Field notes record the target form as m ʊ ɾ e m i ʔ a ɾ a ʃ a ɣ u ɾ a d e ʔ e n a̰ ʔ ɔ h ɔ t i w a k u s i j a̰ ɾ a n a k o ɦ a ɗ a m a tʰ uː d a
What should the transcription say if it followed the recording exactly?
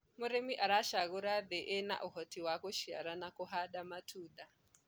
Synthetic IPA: m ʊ ɾ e m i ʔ a ɾ a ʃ a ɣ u ɾ a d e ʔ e n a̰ ʔ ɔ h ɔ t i w a k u ʃ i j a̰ ɾ a n a k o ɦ a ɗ a m a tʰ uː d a